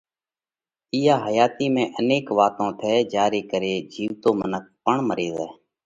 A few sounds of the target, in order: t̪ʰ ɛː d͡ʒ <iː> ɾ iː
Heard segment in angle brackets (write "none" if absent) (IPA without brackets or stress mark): aː